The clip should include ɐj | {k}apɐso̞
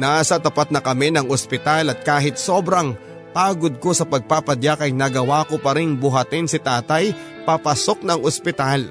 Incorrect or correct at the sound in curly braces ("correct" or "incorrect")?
incorrect